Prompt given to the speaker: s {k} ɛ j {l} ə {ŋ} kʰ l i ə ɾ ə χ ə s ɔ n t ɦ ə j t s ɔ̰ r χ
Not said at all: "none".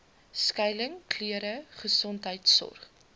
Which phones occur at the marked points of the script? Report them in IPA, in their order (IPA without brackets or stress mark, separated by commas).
k, l, ŋ